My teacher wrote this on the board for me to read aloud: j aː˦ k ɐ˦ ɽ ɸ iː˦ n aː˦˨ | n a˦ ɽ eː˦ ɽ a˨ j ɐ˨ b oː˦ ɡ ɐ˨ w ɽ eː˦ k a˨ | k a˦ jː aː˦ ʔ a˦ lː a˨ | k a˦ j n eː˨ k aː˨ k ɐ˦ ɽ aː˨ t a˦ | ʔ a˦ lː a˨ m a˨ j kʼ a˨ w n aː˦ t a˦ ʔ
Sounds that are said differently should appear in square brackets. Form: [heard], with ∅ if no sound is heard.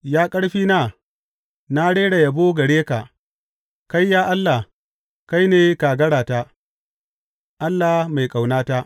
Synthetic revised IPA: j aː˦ [kʼ] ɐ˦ ɽ ɸ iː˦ n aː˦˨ | n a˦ ɽ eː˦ ɽ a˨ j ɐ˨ b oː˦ ɡ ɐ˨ [∅] ɽ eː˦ k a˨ | k a˦ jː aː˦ ʔ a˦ lː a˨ | k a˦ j n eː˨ k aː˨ [ɡ] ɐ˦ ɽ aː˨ t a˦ | ʔ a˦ lː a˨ m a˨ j kʼ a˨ w n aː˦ t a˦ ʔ

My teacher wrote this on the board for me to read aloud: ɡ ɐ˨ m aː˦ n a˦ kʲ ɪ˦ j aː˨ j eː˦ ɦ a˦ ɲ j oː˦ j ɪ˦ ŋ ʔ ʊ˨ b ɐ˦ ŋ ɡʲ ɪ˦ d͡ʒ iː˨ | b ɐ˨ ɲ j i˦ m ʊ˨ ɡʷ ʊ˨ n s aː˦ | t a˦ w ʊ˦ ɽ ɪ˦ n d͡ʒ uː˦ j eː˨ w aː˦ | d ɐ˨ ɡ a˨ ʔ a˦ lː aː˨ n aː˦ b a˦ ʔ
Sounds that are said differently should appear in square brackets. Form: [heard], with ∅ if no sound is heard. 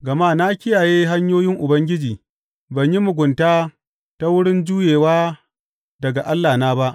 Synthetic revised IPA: ɡ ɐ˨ m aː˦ n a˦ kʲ ɪ˦ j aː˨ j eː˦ ɦ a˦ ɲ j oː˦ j ɪ˦ ŋ ʔ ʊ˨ b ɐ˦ ŋ ɡʲ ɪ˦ d͡ʒ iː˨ | b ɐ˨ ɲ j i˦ m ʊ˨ ɡʷ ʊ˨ n [t] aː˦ | t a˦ w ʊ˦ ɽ ɪ˦ n d͡ʒ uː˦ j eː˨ w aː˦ | d ɐ˨ ɡ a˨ ʔ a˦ lː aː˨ n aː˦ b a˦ ʔ

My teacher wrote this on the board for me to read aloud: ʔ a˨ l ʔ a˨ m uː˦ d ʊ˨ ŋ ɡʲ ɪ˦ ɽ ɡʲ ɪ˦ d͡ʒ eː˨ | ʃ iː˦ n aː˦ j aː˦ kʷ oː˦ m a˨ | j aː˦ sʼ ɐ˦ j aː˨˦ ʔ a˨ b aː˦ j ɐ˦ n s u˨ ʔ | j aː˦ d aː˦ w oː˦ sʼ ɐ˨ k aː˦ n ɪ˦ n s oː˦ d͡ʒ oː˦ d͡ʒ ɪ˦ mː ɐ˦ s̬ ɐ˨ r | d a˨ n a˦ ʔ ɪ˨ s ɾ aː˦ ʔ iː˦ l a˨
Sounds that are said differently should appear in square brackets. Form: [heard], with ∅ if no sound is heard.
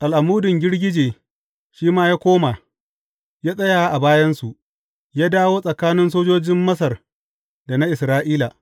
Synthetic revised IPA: ʔ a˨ l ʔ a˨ m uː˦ d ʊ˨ ŋ ɡʲ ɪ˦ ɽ ɡʲ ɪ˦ d͡ʒ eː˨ | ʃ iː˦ [m] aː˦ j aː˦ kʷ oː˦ m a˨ | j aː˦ sʼ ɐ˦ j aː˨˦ ʔ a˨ b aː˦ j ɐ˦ n s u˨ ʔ | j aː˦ d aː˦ w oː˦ sʼ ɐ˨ k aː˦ n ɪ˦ n s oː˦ d͡ʒ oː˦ d͡ʒ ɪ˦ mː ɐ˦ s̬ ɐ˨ r | d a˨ n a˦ ʔ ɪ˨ s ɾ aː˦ ʔ iː˦ l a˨

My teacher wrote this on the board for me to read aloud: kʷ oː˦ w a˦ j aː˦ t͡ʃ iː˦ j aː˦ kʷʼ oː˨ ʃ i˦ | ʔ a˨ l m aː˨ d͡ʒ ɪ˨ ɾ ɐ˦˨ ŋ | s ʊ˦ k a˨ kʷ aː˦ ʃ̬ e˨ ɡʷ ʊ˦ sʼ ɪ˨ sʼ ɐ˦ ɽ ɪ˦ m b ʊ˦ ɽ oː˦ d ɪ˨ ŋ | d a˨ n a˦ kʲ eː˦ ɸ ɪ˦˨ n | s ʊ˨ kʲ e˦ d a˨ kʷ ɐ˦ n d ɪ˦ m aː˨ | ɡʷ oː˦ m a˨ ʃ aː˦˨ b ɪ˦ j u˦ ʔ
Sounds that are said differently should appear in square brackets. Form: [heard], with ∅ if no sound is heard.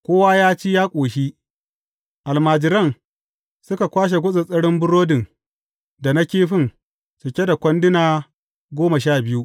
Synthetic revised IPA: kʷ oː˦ w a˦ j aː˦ t͡ʃ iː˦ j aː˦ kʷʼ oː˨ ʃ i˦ | ʔ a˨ l m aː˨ d͡ʒ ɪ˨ ɾ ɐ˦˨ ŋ | s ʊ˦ k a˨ kʷ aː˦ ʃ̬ e˨ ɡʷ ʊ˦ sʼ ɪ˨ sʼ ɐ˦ ɽ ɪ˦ m b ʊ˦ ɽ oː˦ d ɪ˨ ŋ | d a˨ n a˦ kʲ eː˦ ɸ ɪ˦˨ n | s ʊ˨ kʲ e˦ d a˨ kʷ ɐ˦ n d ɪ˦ [n] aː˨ | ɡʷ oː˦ m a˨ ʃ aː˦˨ b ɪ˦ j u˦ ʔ

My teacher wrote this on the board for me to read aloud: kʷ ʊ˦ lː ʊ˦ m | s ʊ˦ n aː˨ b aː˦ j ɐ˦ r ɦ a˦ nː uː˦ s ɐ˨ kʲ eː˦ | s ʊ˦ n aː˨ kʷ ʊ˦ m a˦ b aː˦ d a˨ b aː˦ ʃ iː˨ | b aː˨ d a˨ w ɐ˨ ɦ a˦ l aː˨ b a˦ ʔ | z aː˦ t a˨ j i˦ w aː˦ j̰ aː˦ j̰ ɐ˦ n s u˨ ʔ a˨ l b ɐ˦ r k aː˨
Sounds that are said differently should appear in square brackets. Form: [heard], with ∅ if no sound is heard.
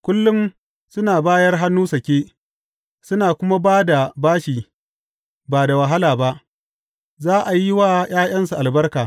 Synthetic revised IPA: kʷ ʊ˦ lː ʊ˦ m | s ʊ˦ n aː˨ b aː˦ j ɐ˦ r ɦ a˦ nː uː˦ s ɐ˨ kʲ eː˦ | s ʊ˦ n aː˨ kʷ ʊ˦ m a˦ b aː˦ d a˨ b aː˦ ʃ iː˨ | b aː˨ d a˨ w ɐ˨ ɦ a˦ l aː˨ b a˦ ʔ | z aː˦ [ʔ] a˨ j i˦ w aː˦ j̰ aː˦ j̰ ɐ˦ n s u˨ ʔ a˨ l b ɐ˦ r k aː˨

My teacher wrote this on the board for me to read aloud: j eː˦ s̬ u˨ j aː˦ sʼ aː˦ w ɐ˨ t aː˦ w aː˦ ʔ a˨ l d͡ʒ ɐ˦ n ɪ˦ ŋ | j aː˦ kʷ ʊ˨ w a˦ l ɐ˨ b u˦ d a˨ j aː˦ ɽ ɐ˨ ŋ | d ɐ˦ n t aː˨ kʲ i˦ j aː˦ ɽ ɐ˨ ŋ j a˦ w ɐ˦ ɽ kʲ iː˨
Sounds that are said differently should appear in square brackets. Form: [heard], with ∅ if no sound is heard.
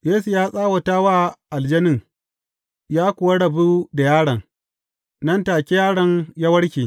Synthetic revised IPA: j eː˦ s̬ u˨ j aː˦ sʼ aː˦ w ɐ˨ t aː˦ w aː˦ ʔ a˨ l d͡ʒ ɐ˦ n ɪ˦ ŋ | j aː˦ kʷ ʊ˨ w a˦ [ɽ] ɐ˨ b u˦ d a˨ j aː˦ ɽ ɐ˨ ŋ | [n] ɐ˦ n t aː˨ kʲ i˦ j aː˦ ɽ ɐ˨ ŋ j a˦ w ɐ˦ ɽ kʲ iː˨

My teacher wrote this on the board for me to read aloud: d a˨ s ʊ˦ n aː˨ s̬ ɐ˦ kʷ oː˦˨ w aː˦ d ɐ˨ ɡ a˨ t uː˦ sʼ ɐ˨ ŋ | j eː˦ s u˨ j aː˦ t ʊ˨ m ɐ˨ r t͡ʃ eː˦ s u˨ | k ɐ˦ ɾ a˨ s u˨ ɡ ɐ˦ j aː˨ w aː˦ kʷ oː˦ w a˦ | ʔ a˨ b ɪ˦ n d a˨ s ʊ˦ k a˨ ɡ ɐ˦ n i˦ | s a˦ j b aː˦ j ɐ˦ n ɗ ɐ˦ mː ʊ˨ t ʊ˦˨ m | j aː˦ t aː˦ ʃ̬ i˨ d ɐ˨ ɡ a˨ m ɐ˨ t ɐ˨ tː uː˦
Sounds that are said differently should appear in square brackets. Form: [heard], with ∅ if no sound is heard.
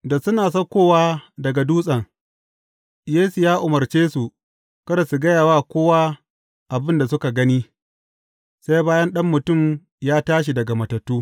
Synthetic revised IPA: d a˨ s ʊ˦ n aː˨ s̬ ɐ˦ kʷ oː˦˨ w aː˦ d ɐ˨ ɡ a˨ [d] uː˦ sʼ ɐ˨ ŋ | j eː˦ s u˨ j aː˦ [ʔ] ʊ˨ m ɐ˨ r t͡ʃ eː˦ s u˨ | k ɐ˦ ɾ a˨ s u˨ ɡ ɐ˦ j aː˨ w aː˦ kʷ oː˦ w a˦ | ʔ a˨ b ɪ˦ n d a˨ s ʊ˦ k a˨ ɡ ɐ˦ n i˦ | s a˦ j b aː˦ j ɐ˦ n ɗ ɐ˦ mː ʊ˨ t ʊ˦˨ m | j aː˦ t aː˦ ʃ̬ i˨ d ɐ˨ ɡ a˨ m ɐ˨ t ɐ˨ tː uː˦

